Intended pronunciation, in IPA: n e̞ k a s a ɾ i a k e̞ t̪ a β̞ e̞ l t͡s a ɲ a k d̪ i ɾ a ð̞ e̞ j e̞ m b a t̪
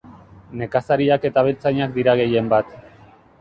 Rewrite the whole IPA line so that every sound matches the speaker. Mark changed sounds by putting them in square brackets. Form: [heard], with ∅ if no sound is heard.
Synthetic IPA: n e̞ k a s a ɾ i a k e̞ t̪ a β̞ e̞ l t͡s a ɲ a k d̪ i ɾ a [ɣ̞] e̞ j e̞ m b a t̪